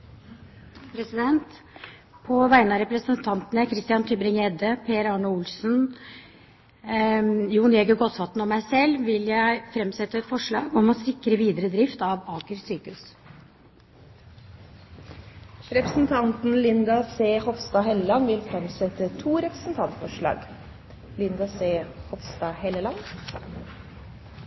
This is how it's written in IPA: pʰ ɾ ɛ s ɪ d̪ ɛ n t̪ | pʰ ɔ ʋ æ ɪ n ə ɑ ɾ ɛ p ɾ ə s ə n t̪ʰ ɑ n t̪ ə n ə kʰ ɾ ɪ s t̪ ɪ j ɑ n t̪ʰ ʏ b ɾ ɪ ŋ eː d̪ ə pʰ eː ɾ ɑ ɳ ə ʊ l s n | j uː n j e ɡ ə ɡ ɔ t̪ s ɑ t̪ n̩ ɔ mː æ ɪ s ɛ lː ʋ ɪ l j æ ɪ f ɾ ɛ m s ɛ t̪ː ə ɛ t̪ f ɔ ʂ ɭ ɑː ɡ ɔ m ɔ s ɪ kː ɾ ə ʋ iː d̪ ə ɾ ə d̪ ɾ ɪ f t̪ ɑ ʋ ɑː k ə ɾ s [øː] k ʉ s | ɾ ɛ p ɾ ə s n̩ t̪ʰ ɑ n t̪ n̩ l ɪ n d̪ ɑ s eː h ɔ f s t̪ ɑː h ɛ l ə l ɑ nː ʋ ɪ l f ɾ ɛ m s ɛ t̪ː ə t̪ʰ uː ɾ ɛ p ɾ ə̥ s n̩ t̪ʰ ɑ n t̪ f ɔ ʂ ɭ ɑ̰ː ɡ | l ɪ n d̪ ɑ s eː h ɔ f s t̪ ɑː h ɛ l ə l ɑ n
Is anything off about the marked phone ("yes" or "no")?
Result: yes